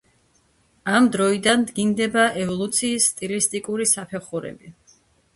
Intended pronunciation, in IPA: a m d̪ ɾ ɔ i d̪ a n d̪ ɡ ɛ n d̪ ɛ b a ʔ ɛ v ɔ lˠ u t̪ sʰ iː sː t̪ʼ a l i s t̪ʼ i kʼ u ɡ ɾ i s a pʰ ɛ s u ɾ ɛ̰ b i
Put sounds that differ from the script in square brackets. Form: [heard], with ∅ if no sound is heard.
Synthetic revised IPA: a m d̪ ɾ ɔ i d̪ a n d̪ ɡ [i] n d̪ ɛ b a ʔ ɛ v ɔ lˠ u t̪ sʰ iː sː t̪ʼ [i] l i s t̪ʼ i kʼ u [∅] ɾ i s a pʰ ɛ [χ] u ɾ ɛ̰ b i

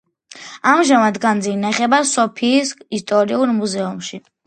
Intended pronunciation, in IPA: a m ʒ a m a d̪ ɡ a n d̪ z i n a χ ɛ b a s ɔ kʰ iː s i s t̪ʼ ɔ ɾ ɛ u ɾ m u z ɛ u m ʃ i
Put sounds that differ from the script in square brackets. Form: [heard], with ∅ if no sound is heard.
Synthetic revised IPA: a m ʒ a m a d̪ ɡ a n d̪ z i n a χ ɛ b a s ɔ [pʰ] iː s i s t̪ʼ ɔ ɾ [i] u ɾ m u z ɛ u m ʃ i

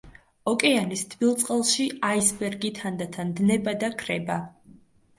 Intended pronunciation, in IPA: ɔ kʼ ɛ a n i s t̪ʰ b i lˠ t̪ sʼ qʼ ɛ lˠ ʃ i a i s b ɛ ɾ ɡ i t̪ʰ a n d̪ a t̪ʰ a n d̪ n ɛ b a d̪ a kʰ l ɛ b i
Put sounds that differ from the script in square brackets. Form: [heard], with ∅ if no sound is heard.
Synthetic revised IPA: ɔ kʼ ɛ a n i s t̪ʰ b i lˠ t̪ sʼ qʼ ɛ lˠ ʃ i a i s b ɛ ɾ ɡ i t̪ʰ a n d̪ a t̪ʰ a n d̪ n ɛ b a d̪ a kʰ [ɾ] ɛ b [a]

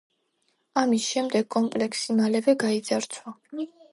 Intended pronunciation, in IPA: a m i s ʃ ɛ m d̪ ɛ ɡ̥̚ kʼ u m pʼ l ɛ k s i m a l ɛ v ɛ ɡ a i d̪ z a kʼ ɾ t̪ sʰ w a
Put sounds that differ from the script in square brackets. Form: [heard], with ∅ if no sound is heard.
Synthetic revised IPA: a m i s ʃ ɛ m d̪ ɛ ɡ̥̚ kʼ [ɔ] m pʼ l ɛ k s i m a l ɛ v ɛ ɡ a i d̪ z a [∅] ɾ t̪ sʰ w a

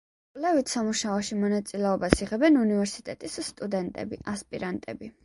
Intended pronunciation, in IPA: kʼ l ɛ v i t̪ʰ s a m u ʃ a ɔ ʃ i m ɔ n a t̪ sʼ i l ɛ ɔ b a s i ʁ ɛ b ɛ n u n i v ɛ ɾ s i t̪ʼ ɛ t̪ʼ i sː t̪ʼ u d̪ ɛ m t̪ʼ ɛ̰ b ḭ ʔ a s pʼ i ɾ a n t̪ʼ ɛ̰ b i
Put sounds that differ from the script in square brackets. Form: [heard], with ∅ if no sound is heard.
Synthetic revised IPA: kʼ l ɛ v i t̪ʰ s a m u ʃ a ɔ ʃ i m ɔ n a t̪ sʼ i l ɛ ɔ b a s i ʁ ɛ b ɛ n u n i v ɛ ɾ s i t̪ʼ ɛ t̪ʼ i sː t̪ʼ u d̪ ɛ [n] t̪ʼ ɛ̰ b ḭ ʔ a s pʼ i ɾ a n t̪ʼ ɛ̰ b i

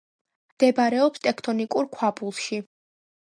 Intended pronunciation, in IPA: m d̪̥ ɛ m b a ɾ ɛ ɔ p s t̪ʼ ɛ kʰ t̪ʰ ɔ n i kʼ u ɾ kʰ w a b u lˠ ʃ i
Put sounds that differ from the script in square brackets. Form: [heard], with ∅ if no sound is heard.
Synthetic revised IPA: m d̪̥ ɛ [∅] b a ɾ ɛ ɔ p s t̪ʼ ɛ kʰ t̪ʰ ɔ n i kʼ u ɾ kʰ w a b u lˠ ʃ i

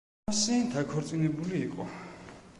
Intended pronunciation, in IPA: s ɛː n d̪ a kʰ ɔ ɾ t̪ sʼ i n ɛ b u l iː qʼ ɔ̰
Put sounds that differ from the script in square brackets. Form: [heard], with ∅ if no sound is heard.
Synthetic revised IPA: s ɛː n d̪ a kʰ ɔ ɾ t̪ sʼ i n ɛ b u l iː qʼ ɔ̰

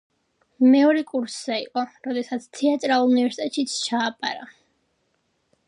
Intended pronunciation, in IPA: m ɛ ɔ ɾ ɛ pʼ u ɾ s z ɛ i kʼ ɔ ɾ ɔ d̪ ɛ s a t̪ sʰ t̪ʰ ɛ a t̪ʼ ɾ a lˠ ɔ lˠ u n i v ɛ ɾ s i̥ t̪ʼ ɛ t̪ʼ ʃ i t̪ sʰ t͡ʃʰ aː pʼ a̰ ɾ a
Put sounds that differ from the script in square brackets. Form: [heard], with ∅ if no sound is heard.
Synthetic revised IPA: m ɛ ɔ ɾ ɛ [kʼ] u ɾ s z ɛ i [qʼ] ɔ ɾ ɔ d̪ ɛ s a t̪ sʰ t̪ʰ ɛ a t̪ʼ ɾ a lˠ [u] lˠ u n i v ɛ ɾ s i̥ t̪ʼ ɛ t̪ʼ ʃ i t̪ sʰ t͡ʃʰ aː pʼ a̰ ɾ a

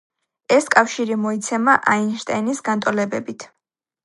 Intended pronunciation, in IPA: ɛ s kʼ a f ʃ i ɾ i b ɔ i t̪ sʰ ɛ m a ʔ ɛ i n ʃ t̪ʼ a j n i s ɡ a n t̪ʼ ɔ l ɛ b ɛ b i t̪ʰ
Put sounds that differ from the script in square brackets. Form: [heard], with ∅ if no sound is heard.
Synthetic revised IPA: ɛ s kʼ a f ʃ i ɾ i [m] ɔ i t̪ sʰ ɛ m a ʔ [a] i n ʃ t̪ʼ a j n i s ɡ a n t̪ʼ ɔ l ɛ b ɛ b i t̪ʰ

